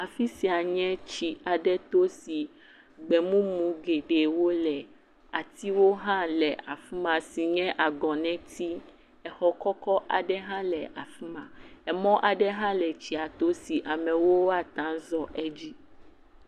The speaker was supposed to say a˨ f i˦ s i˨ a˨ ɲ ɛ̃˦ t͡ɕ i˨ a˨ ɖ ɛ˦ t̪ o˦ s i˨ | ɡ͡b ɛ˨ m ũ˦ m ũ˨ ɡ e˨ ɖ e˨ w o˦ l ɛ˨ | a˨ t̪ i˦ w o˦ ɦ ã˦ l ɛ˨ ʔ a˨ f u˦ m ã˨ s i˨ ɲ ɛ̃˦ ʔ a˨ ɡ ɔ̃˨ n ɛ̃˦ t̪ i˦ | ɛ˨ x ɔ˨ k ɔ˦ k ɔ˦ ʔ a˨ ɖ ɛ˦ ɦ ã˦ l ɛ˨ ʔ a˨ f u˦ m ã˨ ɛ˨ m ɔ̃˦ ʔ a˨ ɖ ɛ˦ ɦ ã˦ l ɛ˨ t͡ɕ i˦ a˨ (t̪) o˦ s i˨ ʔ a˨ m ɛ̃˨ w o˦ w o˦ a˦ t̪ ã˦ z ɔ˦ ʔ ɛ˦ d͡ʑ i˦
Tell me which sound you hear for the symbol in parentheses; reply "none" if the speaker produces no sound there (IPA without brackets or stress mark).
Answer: t̪